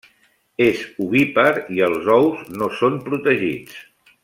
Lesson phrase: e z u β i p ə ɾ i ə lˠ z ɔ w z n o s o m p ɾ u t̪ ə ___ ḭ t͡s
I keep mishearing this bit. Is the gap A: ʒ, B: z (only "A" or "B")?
A